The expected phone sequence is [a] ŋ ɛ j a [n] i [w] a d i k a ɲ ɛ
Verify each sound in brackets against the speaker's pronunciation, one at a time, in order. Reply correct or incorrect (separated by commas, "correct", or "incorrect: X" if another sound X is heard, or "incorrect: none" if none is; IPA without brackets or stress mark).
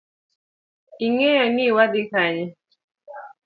incorrect: i, correct, correct